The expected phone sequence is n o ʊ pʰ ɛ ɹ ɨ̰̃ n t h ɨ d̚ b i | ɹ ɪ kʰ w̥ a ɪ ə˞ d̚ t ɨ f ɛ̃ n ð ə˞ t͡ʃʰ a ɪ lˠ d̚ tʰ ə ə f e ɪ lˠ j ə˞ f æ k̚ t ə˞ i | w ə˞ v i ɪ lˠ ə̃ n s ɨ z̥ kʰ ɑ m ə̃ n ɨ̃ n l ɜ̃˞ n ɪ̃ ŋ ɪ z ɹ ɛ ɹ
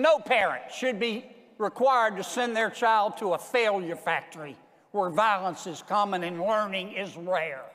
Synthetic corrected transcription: n o ʊ pʰ ɛ ɹ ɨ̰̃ n t ʃ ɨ d̚ b i | ɹ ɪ kʰ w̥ a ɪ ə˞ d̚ t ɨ s ɛ̃ n ð ə˞ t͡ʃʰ a ɪ lˠ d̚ tʰ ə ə f e ɪ lˠ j ə˞ f æ k̚ t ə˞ i | w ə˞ v a ɪ lˠ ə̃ n s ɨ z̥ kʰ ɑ m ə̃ n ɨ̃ n l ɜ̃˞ n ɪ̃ ŋ ɪ z ɹ ɛ ɹ